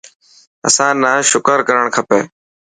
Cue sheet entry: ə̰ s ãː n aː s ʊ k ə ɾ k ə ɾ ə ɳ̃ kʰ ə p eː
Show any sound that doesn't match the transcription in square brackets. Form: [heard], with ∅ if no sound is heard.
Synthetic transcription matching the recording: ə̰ s ãː n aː [ʃ] ʊ k ə ɾ k ə ɾ ə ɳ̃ kʰ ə p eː